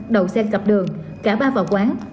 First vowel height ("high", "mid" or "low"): mid